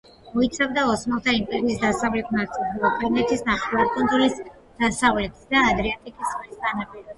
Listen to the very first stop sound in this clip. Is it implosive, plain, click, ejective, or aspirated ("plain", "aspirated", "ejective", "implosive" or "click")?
plain